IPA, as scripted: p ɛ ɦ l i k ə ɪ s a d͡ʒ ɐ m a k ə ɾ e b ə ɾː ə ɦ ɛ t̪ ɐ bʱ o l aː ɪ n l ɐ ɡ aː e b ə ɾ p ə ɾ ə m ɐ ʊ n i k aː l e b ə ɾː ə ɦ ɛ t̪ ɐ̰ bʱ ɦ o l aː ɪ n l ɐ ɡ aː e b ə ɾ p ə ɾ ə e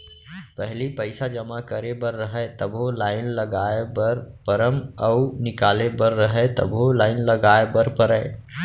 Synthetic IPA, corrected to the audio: p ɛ ɦ l i p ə ɪ s a d͡ʒ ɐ m a k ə ɾ e b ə ɾː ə ɦ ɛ t̪ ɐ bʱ o l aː ɪ n l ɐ ɡ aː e b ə ɾ p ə ɾ ə m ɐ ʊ n ɪ k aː l e b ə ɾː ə ɦ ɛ t̪ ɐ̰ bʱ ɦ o l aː ɪ n l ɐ ɡ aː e b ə ɾ p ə ɾ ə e